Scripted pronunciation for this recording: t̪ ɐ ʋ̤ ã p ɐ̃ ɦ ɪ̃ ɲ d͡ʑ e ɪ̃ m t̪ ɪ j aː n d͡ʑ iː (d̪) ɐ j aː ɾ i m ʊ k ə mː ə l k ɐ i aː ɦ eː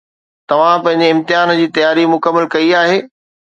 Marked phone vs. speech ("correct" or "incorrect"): incorrect